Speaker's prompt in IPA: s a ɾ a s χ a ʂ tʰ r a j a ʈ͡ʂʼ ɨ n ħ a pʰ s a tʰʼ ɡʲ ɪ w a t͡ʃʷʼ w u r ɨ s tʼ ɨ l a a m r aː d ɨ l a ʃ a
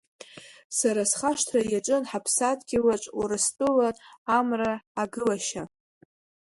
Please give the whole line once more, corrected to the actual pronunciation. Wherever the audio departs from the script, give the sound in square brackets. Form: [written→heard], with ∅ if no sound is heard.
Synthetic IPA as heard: s a ɾ a s χ a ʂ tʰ r a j a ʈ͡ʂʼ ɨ n ħ a pʰ s a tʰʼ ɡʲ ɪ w a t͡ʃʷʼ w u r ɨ s tʼ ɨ l a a m r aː [d→ɡ] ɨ l a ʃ a

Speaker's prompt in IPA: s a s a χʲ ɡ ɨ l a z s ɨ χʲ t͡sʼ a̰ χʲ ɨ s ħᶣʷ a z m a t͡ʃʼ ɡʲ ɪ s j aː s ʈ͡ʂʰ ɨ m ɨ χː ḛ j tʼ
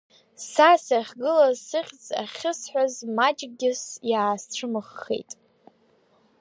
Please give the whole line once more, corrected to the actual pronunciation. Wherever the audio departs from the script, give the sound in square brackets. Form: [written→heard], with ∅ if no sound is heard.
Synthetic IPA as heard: s a s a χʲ ɡ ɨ l a z s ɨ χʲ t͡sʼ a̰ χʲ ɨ s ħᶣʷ a z m a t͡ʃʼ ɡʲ ɪ s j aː s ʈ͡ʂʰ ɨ m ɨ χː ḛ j tʼ

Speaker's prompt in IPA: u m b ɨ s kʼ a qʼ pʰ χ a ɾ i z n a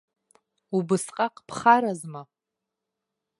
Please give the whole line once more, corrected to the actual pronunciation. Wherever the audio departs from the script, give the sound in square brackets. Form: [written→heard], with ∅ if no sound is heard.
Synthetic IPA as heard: u [m→∅] b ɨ s [kʼ→qʼ] a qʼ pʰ χ a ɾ [i→a] z [n→m] a

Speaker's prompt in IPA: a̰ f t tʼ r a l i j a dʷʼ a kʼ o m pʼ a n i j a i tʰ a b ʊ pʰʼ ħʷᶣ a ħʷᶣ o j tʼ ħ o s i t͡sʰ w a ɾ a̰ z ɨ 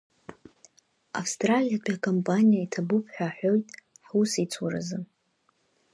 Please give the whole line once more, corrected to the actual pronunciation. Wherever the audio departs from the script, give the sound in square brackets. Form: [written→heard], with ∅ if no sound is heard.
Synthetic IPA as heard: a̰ f [t→s] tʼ r a l i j a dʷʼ a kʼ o m pʼ a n i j a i tʰ a b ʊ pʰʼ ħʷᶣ a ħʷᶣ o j tʼ ħ [o→u] s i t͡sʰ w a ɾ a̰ z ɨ

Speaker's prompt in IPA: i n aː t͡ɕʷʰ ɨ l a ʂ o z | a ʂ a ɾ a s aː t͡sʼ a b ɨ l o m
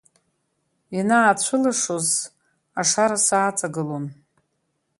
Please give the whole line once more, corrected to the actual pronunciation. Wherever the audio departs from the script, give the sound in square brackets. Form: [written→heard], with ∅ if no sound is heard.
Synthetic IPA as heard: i n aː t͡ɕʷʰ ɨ l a ʂ o z | a ʂ a ɾ a s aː t͡sʼ a [b→ɡ] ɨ l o [m→n]

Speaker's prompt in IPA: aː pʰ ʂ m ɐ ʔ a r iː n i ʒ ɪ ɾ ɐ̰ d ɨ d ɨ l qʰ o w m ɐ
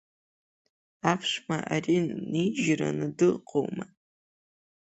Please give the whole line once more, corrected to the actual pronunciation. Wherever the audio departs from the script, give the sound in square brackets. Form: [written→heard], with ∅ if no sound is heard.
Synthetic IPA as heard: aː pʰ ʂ m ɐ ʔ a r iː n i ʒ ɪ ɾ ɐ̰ [d→n] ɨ d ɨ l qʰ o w m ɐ

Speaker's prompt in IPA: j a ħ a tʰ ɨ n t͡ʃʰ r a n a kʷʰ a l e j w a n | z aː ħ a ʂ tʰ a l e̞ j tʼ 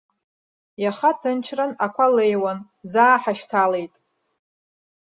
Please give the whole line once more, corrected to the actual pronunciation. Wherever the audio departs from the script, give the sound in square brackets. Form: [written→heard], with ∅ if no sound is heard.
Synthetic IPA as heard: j a [ħ→χ] a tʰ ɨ n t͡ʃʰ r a n a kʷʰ a l e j w a n | z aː ħ a [ʂ→ʃ] tʰ a l e̞ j tʼ

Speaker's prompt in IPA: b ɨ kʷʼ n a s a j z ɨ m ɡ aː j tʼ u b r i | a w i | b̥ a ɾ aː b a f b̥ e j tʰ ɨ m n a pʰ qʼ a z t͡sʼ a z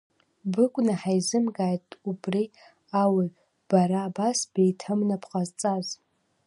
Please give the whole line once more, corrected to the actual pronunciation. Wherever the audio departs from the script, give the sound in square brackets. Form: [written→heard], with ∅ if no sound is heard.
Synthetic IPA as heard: b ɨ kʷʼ n a [s→ħ] a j z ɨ m ɡ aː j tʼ u b r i | a w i | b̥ a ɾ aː b a [f→s] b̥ e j tʰ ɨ m n a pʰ qʼ a z t͡sʼ a z

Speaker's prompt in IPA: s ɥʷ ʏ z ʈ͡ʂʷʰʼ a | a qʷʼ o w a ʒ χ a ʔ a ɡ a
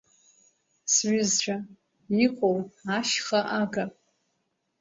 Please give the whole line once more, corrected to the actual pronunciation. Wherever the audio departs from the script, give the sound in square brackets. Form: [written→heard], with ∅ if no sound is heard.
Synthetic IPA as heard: s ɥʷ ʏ z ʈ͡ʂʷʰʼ a | [a→i] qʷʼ o w a [ʒ→ʃ] χ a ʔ a ɡ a

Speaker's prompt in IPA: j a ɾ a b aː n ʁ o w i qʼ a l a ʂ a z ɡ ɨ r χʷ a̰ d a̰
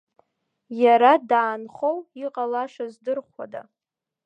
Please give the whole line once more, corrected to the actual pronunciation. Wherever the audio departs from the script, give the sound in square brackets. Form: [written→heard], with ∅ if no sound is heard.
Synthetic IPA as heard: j a ɾ a [b→d] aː n [ʁ→χ] o w i qʼ a l a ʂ a z [ɡ→d] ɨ r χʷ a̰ d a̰

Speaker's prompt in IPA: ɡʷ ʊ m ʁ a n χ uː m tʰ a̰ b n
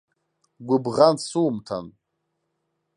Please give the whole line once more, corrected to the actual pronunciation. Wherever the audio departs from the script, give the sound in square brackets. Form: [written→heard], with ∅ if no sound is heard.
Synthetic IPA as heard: ɡʷ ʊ [m→b] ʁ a n [χ→s] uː m tʰ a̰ [b→∅] n

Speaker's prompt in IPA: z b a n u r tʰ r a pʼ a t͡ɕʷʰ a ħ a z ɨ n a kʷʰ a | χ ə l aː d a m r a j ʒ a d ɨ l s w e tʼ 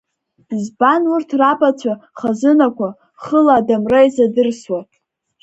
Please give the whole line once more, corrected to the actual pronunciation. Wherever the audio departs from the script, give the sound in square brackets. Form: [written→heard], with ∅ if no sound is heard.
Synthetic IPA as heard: z b a n u r tʰ r a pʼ a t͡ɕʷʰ a [ħ→χ] a z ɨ n a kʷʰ a | χ ə l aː d a m r a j [ʒ→z] a d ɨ [l→r] s w [e→a] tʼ

